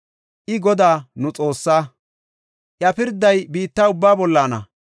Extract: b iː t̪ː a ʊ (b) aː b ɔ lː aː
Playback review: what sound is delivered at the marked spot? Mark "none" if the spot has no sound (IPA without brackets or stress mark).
bː